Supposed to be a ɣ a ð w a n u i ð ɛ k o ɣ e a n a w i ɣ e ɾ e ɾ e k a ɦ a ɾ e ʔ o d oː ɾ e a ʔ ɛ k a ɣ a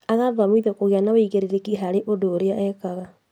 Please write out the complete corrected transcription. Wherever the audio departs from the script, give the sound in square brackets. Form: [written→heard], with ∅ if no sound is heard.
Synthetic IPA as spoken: a ɣ a ð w a [n→m] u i ð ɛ k o ɣ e a n a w i ɣ e ɾ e ɾ e k [a→i] ɦ a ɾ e ʔ o d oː ɾ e a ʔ ɛ k a ɣ a